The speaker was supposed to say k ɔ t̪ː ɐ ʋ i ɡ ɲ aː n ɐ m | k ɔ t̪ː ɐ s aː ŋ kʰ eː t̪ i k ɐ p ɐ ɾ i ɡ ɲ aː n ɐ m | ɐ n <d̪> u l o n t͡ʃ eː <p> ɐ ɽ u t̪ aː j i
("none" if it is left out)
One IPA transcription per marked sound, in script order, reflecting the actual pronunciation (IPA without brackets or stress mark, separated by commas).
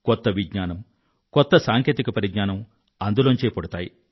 d̪, p